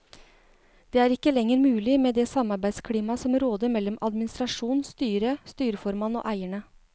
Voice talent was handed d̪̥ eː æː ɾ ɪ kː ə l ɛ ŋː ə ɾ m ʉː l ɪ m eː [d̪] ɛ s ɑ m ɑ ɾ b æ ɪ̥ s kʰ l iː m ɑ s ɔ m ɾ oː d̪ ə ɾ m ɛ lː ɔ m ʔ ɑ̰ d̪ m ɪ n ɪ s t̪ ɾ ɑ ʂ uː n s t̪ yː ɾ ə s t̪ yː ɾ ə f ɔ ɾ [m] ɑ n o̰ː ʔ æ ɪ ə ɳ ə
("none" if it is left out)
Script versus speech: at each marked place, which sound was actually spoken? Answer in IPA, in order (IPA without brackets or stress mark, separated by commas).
d̪, m